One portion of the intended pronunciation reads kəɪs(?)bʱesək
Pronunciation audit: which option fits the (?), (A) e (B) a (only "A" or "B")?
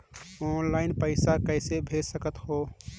A